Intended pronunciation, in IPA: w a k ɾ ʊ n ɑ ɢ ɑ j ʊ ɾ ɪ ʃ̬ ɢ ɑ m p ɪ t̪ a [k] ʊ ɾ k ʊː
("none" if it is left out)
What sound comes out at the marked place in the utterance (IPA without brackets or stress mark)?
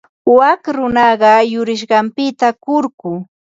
k